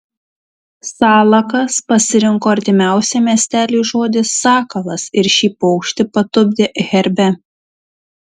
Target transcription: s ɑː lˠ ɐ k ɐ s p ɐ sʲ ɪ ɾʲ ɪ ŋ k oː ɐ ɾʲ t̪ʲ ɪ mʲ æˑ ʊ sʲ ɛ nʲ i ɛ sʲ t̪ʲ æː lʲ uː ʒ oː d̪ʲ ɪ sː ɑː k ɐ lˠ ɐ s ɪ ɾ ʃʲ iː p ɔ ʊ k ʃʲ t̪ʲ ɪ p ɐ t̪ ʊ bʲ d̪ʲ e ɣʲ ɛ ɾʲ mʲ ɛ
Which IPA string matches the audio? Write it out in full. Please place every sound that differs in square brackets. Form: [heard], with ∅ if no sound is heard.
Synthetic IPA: s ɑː lˠ ɐ k ɐ s p ɐ sʲ ɪ ɾʲ ɪ ŋ k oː ɐ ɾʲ t̪ʲ ɪ mʲ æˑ ʊ sʲ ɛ [mʲ] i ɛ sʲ t̪ʲ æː lʲ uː ʒ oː d̪ʲ ɪ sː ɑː k ɐ lˠ ɐ s ɪ ɾ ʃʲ iː p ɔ ʊ k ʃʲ t̪ʲ ɪ p ɐ t̪ ʊ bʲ d̪ʲ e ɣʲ ɛ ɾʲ [bʲ] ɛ